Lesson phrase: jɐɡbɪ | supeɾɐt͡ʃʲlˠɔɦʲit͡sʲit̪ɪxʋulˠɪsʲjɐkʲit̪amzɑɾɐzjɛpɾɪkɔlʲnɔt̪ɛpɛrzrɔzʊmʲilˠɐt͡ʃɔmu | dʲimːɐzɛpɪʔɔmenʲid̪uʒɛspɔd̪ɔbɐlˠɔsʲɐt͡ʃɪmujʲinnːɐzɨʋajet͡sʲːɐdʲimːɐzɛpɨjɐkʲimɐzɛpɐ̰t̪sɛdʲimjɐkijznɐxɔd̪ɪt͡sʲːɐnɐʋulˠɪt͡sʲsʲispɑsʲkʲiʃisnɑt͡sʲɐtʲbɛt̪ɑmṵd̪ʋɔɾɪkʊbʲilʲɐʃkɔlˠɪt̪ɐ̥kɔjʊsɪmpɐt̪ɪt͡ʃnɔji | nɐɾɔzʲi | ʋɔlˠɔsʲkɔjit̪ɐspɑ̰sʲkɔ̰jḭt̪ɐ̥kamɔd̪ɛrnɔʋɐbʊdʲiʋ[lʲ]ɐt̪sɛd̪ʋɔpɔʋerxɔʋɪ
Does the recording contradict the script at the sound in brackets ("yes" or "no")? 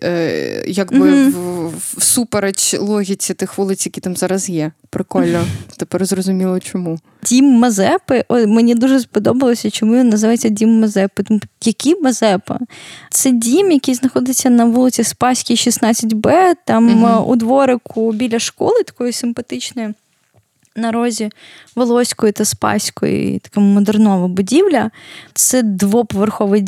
no